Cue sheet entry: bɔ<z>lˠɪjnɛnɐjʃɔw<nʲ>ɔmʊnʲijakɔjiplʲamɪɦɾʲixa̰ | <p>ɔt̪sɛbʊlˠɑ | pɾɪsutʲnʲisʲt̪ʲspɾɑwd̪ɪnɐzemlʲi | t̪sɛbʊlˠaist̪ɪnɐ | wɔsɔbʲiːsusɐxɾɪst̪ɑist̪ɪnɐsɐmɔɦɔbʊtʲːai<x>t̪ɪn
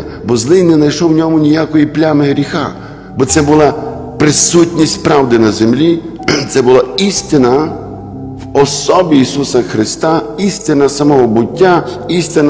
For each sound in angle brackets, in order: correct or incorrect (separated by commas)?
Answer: correct, correct, incorrect, incorrect